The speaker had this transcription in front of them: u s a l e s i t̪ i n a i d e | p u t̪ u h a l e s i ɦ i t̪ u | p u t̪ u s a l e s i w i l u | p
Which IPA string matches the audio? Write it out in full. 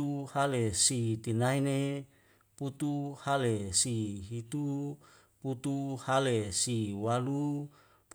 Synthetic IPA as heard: u h a l e s i t̪ i n a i n e | p u t̪ u h a l e s i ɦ i t̪ u | p u t̪ u h a l e s i w a l u | p